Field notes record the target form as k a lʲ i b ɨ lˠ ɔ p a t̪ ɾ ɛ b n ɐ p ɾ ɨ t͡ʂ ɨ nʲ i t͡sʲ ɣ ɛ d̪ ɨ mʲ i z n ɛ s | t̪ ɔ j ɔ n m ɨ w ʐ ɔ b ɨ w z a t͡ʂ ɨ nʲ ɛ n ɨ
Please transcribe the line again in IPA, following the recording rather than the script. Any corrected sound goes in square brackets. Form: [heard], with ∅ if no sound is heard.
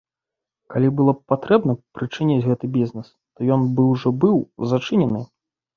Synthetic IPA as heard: k a lʲ i b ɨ lˠ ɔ p a t̪ ɾ ɛ b n ɐ p ɾ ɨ t͡ʂ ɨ nʲ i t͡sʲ ɣ ɛ [t̪] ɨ [bʲ] i z n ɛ s | t̪ ɔ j ɔ n [b] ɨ w ʐ ɔ b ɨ w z a t͡ʂ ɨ nʲ ɛ n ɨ

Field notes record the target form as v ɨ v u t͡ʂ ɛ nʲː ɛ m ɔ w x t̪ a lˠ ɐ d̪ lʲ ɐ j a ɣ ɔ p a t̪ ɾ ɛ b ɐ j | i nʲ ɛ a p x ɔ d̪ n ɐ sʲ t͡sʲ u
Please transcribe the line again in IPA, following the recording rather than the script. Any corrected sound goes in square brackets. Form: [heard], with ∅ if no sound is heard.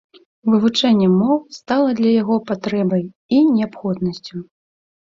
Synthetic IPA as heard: v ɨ v u t͡ʂ ɛ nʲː ɛ m ɔ w [s] t̪ a lˠ ɐ d̪ lʲ ɐ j a ɣ ɔ p a t̪ ɾ ɛ b ɐ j | i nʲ ɛ a p x ɔ d̪ n ɐ sʲ t͡sʲ u

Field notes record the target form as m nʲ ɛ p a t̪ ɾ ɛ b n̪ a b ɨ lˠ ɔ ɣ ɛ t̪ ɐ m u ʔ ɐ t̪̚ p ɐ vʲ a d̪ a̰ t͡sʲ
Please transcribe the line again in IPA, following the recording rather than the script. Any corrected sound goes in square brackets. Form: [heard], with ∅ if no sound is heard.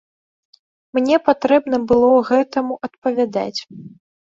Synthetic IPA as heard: m nʲ ɛ p a t̪ ɾ ɛ b n̪ [ɐ] b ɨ lˠ ɔ ɣ ɛ t̪ ɐ m u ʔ ɐ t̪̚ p ɐ vʲ a d̪ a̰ t͡sʲ

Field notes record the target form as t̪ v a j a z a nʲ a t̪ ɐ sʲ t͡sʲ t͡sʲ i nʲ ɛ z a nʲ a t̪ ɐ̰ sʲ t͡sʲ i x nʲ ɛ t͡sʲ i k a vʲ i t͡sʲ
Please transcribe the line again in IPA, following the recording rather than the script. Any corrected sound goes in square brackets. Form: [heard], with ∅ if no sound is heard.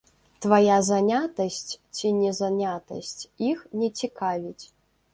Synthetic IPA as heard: t̪ v a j a z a nʲ a t̪ ɐ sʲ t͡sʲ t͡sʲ i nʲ ɛ z a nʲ a t̪ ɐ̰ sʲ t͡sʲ i x nʲ ɛ t͡sʲ i k a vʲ i t͡sʲ

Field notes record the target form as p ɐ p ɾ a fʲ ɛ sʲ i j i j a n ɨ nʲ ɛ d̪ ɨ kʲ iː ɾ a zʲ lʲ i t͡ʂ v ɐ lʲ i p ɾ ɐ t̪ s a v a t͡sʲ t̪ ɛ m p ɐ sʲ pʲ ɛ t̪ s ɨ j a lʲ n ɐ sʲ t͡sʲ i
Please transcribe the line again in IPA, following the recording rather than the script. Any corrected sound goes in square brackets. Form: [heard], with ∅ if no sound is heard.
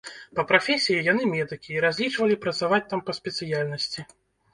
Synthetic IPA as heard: p ɐ p ɾ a fʲ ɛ sʲ i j i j a n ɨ [mʲ] ɛ d̪ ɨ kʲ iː ɾ a zʲ lʲ i t͡ʂ v ɐ lʲ i p ɾ ɐ t̪ s a v a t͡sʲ t̪ [a] m p ɐ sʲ pʲ ɛ t̪ s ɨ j a lʲ n ɐ sʲ t͡sʲ i

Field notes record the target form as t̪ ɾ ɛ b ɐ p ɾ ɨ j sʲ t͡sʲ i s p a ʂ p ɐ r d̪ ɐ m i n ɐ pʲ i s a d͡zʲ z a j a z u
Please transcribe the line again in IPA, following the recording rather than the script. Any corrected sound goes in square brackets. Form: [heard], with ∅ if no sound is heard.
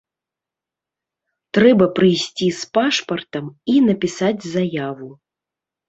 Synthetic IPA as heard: t̪ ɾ ɛ b ɐ p ɾ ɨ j sʲ t͡sʲ i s p a ʂ p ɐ r [t̪] ɐ m i n ɐ pʲ i s a d͡zʲ z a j a [v] u

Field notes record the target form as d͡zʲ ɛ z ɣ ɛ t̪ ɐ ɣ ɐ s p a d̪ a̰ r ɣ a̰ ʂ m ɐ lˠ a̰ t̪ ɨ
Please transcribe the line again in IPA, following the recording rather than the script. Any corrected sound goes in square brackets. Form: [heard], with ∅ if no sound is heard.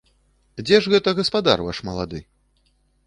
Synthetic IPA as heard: d͡zʲ ɛ [ʐ] ɣ ɛ t̪ ɐ ɣ ɐ s p a d̪ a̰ r [v] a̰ ʂ m ɐ lˠ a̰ [d̪] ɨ

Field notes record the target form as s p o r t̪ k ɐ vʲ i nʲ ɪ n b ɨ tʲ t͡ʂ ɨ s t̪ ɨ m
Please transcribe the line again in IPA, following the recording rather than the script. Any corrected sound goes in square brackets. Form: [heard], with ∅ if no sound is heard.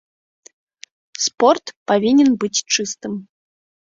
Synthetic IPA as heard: s p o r t̪ [p] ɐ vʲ i nʲ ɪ n b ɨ tʲ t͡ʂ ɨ s t̪ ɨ m

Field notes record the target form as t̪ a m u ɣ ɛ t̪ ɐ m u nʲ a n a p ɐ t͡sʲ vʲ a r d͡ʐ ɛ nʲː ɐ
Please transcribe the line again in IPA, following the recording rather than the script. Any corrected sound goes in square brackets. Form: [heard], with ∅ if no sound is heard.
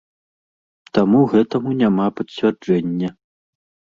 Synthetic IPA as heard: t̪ a m u ɣ ɛ t̪ ɐ m u nʲ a [m] a p ɐ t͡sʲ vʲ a r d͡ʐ ɛ nʲː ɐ

